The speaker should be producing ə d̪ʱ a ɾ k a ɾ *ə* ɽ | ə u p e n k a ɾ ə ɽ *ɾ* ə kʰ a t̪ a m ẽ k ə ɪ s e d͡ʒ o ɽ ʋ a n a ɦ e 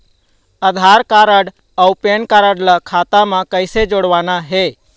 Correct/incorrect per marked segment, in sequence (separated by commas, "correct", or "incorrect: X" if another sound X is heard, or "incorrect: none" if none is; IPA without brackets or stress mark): correct, incorrect: l